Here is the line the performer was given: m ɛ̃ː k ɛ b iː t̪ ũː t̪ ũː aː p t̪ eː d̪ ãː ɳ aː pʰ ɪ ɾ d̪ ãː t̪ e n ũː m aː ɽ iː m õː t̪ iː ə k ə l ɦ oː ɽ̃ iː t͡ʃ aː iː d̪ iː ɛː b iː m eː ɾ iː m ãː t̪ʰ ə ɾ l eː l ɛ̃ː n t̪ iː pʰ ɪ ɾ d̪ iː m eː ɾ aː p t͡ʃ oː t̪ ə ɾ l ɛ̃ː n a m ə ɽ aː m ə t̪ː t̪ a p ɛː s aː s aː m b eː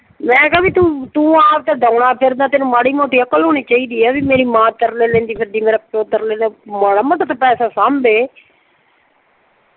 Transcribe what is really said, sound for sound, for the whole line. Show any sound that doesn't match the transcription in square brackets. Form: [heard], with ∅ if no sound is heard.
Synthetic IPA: m ɛ̃ː k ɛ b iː t̪ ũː t̪ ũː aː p t̪ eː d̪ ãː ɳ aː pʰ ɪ ɾ d̪ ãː t̪ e n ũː m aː ɽ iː m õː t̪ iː ə k ə l ɦ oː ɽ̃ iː t͡ʃ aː iː d̪ iː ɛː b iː m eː ɾ iː m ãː [t̪] ə ɾ l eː l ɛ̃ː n [d̪] iː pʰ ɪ ɾ d̪ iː m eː ɾ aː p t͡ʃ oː t̪ ə ɾ l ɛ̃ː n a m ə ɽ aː m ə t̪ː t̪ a p ɛː s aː s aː m b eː